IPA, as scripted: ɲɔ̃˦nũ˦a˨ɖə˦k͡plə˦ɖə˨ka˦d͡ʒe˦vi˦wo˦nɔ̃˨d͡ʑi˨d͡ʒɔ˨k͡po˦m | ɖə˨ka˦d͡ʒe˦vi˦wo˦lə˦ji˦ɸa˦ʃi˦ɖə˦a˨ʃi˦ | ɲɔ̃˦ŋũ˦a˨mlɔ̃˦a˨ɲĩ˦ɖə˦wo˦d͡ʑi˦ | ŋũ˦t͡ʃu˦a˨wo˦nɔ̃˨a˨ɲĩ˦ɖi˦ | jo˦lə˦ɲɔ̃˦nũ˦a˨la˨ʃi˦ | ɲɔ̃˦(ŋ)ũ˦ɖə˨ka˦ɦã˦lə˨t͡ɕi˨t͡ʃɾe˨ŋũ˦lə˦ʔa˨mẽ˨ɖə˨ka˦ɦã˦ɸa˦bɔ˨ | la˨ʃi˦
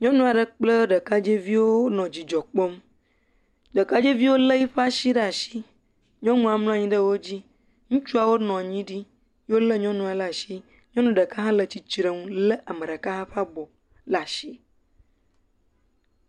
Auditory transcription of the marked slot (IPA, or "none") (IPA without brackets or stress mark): n